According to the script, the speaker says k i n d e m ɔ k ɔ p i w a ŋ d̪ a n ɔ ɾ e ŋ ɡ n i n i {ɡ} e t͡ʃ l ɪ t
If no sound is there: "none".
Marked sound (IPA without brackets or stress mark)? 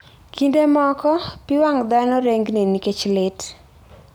k